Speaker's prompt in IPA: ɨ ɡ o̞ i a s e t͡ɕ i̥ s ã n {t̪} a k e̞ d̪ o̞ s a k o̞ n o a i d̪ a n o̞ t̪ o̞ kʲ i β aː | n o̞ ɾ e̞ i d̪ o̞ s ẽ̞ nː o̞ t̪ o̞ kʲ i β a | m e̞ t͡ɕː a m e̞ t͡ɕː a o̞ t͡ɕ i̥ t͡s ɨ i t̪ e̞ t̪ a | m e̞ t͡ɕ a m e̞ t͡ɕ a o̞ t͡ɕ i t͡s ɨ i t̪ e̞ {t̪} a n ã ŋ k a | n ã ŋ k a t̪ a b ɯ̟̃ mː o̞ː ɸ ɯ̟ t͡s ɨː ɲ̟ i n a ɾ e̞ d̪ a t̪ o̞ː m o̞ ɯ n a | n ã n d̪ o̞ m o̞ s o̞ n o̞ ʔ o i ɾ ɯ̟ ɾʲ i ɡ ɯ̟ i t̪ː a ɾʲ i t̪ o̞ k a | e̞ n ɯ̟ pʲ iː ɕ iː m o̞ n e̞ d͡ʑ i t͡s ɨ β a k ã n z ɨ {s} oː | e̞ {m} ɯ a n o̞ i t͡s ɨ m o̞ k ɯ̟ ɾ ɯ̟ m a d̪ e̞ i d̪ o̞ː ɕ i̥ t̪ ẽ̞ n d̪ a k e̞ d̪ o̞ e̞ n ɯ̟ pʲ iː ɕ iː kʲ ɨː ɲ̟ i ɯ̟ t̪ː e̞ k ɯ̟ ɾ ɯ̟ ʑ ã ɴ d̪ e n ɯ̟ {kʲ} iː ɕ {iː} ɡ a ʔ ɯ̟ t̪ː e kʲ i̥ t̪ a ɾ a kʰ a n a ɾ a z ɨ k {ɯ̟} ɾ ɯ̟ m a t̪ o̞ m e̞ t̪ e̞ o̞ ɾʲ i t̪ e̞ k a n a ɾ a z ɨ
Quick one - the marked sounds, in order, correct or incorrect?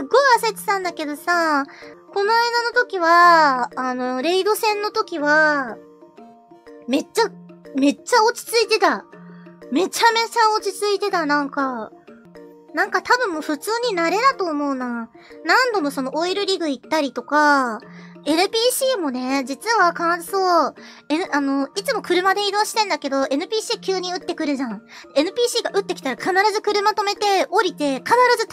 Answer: incorrect: d̪, correct, correct, incorrect: n, incorrect: pʲ, correct, correct

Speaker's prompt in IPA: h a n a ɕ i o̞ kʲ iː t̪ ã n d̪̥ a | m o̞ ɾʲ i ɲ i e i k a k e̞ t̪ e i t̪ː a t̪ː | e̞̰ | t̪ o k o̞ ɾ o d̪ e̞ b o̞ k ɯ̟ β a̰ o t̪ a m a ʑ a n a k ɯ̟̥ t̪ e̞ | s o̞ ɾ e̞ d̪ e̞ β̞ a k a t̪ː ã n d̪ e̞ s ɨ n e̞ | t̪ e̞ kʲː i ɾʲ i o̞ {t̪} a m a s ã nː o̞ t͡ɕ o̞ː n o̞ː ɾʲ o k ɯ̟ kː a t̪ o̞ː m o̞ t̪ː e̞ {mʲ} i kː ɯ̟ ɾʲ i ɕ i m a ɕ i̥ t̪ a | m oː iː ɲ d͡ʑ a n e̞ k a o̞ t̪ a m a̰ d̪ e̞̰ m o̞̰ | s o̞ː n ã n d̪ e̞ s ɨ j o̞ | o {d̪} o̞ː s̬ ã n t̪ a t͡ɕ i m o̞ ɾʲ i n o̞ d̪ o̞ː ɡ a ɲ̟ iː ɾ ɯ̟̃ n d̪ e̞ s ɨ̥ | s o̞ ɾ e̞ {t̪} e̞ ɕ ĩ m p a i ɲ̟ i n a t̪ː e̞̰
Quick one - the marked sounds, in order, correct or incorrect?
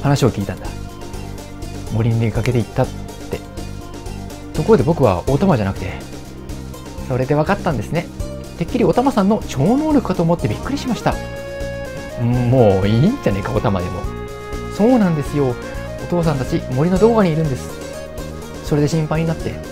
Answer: correct, incorrect: bʲ, incorrect: t̪, incorrect: d̪

